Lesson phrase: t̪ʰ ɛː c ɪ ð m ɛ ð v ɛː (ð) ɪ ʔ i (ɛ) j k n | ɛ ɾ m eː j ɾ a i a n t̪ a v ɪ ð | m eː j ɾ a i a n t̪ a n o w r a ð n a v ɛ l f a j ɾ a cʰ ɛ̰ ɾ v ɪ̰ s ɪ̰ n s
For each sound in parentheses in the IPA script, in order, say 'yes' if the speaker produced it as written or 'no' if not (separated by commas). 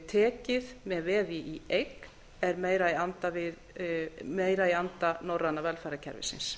yes, no